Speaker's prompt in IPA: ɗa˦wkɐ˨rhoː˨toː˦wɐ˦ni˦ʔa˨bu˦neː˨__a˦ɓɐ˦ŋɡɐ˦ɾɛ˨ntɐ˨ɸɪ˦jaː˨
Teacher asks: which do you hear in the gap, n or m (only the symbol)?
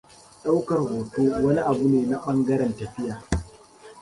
n